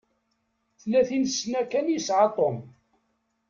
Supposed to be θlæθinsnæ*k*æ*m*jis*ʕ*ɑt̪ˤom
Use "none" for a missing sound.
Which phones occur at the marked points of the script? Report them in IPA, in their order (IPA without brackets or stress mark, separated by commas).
k, n, ʕ